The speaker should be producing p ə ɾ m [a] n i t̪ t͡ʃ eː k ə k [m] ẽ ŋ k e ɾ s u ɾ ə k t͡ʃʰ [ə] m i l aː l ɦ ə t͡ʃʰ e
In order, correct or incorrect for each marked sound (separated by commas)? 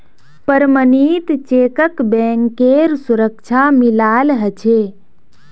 incorrect, incorrect, incorrect